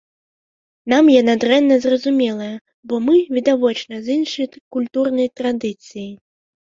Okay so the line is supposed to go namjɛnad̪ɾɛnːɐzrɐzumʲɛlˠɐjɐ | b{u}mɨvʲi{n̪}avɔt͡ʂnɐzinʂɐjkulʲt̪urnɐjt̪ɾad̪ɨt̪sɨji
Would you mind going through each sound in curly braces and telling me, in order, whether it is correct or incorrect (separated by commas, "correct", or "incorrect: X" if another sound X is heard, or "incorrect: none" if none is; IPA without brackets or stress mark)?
incorrect: ɔ, incorrect: d̪